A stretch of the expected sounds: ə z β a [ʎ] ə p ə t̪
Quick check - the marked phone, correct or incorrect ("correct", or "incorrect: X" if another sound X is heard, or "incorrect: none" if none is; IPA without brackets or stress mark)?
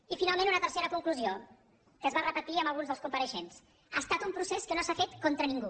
incorrect: r